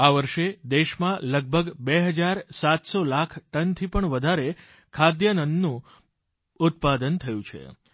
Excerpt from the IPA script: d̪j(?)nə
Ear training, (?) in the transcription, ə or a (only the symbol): ə